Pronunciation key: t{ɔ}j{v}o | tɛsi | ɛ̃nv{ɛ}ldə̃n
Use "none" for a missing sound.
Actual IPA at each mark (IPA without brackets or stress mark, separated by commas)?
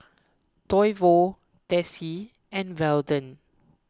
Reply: ɔ, v, ɛ